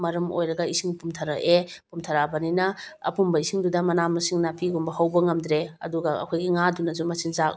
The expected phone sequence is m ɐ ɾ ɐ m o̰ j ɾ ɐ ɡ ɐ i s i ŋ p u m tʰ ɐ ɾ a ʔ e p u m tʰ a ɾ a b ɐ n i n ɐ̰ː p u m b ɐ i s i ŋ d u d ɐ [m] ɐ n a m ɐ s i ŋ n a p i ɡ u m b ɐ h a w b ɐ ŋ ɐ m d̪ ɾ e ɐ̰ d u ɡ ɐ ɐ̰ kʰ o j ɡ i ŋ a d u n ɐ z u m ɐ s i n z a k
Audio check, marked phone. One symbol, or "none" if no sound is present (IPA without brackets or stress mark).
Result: m